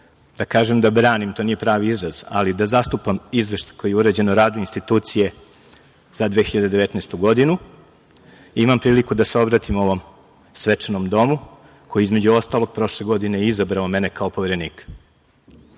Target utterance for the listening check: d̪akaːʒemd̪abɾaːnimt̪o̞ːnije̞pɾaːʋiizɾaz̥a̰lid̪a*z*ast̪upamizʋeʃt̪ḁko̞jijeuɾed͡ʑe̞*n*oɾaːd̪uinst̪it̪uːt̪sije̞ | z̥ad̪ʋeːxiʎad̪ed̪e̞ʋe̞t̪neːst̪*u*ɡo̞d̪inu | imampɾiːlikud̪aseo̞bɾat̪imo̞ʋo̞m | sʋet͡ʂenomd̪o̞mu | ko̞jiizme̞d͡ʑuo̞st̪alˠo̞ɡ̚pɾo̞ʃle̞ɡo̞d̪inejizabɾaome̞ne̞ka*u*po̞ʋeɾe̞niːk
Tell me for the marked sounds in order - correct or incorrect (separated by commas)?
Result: correct, correct, correct, incorrect